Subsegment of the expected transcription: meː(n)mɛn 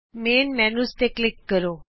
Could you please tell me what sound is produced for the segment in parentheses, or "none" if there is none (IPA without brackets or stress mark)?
n